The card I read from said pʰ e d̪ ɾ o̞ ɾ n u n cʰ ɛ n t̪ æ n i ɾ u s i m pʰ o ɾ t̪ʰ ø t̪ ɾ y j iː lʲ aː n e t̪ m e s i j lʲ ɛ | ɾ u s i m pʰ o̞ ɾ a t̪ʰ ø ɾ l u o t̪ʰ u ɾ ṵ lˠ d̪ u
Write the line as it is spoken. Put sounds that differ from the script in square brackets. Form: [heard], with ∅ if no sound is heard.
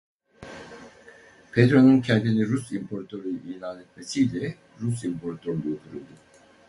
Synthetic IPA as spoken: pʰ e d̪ ɾ o̞ [∅] n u n cʰ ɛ n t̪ [i] n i ɾ u s i m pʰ o ɾ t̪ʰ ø [∅] ɾ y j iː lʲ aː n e t̪ m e s i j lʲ ɛ | ɾ u s i m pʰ o̞ ɾ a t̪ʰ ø ɾ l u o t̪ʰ u ɾ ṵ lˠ d̪ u